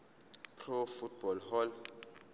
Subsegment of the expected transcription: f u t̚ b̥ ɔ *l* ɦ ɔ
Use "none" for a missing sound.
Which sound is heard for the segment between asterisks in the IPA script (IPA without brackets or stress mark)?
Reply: l